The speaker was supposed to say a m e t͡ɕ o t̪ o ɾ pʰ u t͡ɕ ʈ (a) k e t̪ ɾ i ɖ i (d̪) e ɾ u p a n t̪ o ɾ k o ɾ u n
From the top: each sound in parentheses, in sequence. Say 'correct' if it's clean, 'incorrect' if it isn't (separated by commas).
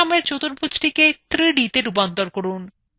incorrect, incorrect